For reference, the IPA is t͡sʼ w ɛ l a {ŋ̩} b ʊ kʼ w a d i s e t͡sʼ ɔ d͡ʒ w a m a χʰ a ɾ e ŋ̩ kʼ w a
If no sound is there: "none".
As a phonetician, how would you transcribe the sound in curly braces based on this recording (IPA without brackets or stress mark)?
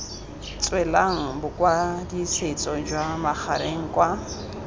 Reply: ŋ̩